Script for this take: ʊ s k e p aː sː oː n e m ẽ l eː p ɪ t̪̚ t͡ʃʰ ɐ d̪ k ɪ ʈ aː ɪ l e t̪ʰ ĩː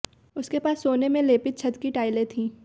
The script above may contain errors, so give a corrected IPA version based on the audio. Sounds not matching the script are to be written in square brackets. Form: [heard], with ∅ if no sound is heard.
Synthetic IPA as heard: ʊ s k e p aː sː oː n e m ẽ l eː p ɪ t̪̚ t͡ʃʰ ɐ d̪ k [i] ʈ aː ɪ l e t̪ʰ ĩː